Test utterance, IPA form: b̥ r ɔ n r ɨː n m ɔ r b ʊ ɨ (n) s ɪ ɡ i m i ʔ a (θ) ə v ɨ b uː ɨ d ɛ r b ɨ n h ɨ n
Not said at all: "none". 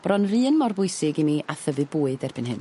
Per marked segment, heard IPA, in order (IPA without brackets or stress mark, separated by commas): none, θ